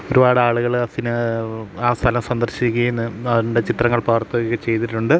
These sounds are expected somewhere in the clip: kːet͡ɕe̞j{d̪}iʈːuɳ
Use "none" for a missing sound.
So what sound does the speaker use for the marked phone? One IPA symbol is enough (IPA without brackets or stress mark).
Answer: t̪